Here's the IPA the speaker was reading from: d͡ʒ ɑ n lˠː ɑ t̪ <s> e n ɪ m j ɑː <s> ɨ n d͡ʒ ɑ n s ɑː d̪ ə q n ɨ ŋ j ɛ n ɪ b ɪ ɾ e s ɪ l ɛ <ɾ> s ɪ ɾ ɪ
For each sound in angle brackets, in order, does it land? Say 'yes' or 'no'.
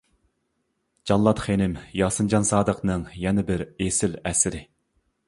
no, yes, no

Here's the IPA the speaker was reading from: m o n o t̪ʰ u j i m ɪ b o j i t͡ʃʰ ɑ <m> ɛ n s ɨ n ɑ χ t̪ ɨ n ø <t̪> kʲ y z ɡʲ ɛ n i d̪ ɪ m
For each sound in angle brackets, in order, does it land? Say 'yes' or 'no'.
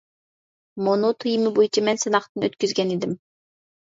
yes, yes

